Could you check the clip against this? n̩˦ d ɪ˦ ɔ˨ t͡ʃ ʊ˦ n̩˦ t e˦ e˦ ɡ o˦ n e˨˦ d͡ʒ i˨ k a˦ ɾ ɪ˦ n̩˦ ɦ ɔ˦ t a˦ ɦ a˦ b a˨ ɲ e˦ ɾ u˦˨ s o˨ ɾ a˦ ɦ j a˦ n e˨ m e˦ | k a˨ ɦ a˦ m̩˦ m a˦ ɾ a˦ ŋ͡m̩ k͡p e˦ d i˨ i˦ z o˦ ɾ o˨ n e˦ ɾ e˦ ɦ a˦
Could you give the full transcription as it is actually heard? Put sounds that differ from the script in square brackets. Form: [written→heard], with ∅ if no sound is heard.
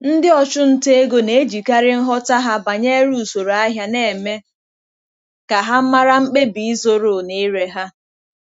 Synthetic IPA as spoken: n̩˦ d ɪ˦ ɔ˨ t͡ʃ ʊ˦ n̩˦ t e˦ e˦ ɡ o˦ n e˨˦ d͡ʒ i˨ k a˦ ɾ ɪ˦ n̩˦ ɦ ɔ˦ t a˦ ɦ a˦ b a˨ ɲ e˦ ɾ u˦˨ s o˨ ɾ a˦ ɦ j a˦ n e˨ m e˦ | k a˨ ɦ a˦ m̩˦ m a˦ ɾ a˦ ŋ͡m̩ k͡p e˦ [d→b] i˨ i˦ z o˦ ɾ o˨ n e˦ ɾ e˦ ɦ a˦